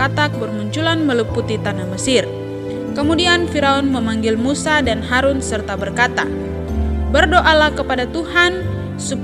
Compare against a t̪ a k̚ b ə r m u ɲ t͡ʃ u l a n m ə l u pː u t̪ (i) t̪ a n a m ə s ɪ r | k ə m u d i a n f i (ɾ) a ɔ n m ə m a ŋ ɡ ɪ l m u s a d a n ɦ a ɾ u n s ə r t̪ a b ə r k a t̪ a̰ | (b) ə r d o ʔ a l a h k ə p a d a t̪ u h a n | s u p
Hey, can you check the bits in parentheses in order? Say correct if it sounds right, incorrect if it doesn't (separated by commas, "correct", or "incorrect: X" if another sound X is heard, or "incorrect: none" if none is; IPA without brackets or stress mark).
correct, correct, correct